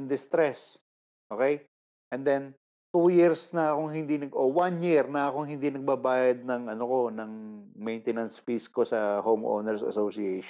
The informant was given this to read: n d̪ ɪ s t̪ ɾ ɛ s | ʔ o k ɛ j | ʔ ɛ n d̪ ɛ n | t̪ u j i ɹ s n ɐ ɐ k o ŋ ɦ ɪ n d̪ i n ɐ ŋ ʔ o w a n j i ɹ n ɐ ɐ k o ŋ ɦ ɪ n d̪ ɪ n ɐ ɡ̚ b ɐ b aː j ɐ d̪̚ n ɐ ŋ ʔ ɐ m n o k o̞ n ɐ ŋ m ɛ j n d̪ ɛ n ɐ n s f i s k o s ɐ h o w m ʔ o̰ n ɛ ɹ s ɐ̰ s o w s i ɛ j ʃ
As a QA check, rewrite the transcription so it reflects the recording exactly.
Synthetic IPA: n d̪ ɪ s t̪ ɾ ɛ s | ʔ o k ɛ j | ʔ ɛ n d̪ ɛ n | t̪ u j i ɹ s n ɐ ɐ k o ŋ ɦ ɪ n d̪ i n ɐ ɡ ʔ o w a n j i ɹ n ɐ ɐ k o ŋ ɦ ɪ n d̪ i n ɐ ɡ̚ b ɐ b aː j ɐ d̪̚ n ɐ ŋ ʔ ɐ n o k o̞ n ɐ ŋ m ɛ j n t̪ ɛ n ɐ n s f i s k o s ɐ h o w m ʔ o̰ n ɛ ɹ s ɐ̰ s o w s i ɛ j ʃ